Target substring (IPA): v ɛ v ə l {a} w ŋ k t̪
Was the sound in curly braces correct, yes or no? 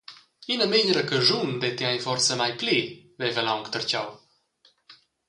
yes